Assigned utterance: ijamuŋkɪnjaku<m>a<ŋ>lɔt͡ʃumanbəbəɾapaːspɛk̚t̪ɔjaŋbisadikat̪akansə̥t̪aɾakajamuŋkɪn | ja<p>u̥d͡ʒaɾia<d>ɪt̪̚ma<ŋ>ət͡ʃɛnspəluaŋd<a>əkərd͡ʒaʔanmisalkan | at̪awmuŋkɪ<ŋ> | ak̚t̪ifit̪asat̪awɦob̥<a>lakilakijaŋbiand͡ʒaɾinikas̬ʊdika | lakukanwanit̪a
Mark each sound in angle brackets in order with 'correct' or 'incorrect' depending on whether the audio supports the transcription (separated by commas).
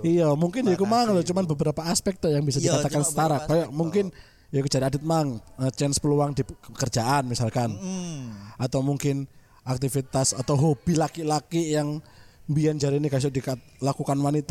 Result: correct, correct, incorrect, correct, correct, incorrect, incorrect, incorrect